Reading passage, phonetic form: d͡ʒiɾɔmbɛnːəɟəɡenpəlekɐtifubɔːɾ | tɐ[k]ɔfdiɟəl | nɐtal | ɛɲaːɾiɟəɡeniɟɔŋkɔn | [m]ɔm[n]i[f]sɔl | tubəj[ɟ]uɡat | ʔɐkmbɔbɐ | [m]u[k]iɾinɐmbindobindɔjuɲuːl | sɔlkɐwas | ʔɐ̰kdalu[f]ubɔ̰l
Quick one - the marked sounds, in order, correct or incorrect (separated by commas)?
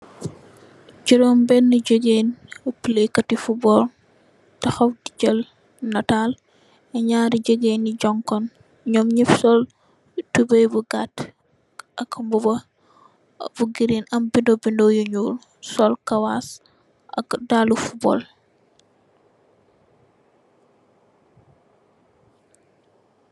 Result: incorrect, incorrect, incorrect, correct, incorrect, incorrect, incorrect, correct